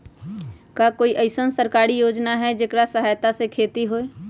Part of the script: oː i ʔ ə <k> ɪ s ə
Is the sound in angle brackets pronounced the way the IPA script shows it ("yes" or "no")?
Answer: no